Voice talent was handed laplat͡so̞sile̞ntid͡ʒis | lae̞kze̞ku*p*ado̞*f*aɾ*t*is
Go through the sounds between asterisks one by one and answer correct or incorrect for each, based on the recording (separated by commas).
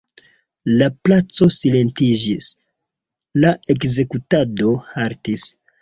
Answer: incorrect, incorrect, correct